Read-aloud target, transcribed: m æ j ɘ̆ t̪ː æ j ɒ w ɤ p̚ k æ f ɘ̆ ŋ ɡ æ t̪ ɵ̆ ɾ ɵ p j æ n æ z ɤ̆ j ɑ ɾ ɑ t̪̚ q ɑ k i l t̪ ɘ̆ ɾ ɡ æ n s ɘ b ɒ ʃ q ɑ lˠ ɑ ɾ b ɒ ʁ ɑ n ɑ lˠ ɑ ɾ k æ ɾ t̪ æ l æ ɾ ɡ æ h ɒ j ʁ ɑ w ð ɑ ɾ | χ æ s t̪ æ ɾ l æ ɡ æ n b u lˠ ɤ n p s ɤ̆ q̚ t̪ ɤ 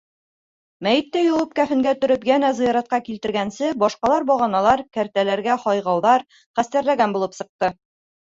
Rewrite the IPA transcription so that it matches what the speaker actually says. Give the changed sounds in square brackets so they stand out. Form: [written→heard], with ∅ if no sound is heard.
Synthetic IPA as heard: m æ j ɘ̆ t̪ː æ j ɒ w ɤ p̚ k æ f ɘ̆ ŋ ɡ æ t̪ ɵ̆ ɾ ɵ p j æ n æ z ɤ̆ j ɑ ɾ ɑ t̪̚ q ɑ k i l t̪ ɘ̆ ɾ ɡ æ n s ɘ b ɒ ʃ q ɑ lˠ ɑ ɾ b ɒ ʁ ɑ n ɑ lˠ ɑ ɾ k æ ɾ t̪ æ l æ ɾ ɡ æ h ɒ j ʁ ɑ w ð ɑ ɾ | χ æ s t̪ æ ɾ l æ ɡ æ n b u lˠ ɤ [n→∅] p s ɤ̆ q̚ t̪ ɤ